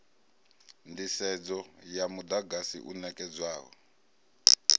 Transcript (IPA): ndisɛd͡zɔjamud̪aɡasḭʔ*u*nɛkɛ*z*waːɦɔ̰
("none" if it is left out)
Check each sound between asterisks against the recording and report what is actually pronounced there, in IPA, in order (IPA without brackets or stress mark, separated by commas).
u, d͡z